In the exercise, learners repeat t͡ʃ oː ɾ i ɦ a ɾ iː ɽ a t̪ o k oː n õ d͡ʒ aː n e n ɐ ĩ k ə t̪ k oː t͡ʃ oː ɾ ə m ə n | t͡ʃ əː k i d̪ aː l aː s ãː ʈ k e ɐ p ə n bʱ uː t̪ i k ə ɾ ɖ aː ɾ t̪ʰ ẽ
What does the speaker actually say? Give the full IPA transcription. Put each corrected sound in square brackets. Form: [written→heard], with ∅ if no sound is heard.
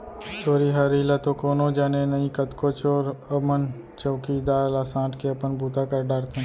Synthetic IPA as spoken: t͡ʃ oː ɾ i ɦ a ɾ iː [ɽ→l] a t̪ o k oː n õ d͡ʒ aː n e n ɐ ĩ k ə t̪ k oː t͡ʃ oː ɾ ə m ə n | t͡ʃ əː k i d̪ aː l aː s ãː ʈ k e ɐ p ə n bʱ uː t̪ [i→a] k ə ɾ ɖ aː ɾ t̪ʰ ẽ

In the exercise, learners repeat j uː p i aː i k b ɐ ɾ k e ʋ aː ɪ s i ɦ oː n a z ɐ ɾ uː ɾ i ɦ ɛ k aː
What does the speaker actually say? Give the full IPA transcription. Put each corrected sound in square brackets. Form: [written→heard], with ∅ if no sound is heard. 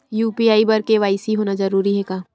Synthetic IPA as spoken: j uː p i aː i [k→∅] b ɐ ɾ k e ʋ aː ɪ s i ɦ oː n a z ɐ ɾ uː ɾ i ɦ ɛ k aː

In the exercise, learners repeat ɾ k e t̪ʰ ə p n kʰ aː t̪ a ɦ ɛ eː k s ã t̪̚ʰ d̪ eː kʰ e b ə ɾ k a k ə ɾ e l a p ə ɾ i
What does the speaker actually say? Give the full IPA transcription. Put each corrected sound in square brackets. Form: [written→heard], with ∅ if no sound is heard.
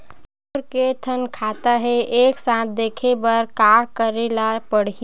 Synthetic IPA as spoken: ɾ k e t̪ʰ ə [p→∅] n kʰ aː t̪ a ɦ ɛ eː k s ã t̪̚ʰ d̪ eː kʰ e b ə ɾ k a k ə ɾ e l a p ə [ɾ→ɽ] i

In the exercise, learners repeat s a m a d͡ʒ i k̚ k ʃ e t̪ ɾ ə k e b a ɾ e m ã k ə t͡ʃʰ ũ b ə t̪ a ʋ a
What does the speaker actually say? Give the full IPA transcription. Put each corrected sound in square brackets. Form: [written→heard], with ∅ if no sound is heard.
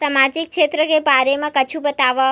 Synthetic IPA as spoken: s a m a d͡ʒ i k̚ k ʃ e t̪ ɾ ə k e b a ɾ e m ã k ə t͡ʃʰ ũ b ə t̪ a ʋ a

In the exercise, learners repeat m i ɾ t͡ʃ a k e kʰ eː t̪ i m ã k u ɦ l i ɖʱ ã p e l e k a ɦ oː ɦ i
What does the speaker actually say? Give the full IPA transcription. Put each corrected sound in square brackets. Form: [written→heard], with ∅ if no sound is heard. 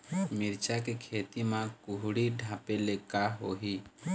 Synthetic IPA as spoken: m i ɾ t͡ʃ a k e kʰ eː t̪ i m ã k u ɦ [l→ɽ] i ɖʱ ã p e l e k a ɦ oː ɦ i

